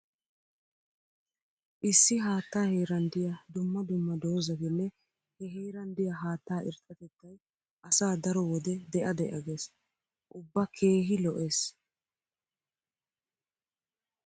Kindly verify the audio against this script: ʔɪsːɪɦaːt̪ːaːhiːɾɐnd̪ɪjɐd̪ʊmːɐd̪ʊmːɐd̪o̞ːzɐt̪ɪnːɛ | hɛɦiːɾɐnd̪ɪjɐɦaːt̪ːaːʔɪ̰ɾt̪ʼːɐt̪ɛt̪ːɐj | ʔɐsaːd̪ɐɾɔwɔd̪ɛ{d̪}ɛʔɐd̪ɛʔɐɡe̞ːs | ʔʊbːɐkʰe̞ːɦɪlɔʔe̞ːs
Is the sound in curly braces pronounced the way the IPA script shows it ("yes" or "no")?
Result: yes